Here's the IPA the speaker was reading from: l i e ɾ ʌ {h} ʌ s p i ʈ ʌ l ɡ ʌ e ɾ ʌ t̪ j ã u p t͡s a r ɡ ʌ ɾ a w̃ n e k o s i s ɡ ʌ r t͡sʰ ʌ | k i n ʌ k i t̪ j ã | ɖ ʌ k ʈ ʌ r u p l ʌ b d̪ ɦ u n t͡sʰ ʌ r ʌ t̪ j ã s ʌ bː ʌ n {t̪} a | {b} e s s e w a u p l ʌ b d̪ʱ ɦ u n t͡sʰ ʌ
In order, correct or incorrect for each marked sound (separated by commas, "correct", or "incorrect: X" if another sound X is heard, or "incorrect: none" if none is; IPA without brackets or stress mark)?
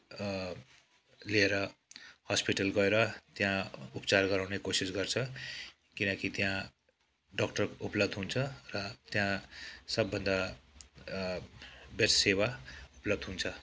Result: correct, incorrect: d̪, correct